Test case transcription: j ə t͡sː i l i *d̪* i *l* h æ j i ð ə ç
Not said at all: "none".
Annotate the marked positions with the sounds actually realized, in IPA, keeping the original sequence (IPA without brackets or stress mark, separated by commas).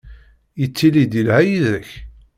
d̪, l